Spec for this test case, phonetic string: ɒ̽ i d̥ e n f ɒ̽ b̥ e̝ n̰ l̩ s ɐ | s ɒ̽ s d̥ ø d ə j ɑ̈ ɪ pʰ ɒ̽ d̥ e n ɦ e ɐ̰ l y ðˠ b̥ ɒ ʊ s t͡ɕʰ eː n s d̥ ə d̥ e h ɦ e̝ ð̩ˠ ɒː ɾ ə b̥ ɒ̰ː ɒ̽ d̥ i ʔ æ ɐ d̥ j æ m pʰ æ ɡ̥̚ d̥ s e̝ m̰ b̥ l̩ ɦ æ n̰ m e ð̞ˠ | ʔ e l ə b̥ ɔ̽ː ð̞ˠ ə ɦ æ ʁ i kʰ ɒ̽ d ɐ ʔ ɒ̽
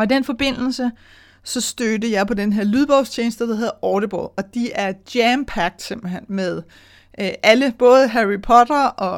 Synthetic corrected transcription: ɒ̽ i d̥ e n f ɒ̽ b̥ e̝ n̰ l̩ s ə | s ɒ̽ s d̥ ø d ə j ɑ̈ ɪ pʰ ɒ̽ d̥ e n ɦ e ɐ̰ l y ðˠ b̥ ɒ ʊ s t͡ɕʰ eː n s d̥ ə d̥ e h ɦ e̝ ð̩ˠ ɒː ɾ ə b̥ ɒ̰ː ɒ̽ d̥ i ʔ æ ɐ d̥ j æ m pʰ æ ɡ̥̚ d̥ s e̝ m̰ b̥ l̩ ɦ e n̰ m e ð̞ˠ | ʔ æ l ə b̥ ɔ̽ː ð̞ˠ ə ɦ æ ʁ i pʰ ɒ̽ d ɐ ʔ ɒ̽